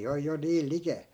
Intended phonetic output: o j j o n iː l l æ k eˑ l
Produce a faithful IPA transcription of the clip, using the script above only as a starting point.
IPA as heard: o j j o n iː l l i k eˑ l